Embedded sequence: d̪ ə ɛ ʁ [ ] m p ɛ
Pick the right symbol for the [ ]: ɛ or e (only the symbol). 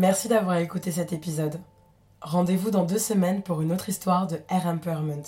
ɛ